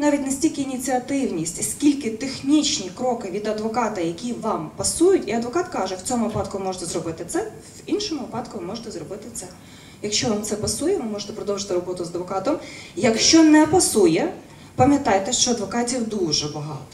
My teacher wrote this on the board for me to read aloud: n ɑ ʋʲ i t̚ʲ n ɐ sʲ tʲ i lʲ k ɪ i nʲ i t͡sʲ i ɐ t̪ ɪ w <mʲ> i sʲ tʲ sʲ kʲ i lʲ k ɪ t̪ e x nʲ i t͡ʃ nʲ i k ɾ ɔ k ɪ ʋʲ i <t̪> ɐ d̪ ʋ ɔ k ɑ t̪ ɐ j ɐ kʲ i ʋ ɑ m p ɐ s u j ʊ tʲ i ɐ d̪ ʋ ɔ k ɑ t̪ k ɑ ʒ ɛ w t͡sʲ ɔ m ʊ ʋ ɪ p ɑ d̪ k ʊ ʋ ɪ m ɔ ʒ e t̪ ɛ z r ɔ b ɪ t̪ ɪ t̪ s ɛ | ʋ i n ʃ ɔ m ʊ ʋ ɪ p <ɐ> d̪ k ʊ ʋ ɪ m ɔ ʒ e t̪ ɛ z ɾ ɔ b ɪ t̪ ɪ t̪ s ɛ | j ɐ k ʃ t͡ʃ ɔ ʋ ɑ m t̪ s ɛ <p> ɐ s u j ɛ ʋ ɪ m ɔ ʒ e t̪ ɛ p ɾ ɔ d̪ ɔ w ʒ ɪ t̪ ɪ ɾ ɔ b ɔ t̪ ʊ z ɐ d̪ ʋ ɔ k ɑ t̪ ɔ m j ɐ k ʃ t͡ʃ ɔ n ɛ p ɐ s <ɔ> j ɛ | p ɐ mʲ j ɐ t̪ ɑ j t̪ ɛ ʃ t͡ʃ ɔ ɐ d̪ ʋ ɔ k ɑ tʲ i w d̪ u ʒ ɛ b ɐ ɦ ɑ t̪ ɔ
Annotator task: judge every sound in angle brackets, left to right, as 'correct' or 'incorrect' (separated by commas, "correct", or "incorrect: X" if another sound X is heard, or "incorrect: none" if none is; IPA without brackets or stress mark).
incorrect: nʲ, incorrect: d̪, incorrect: ɑ, correct, incorrect: u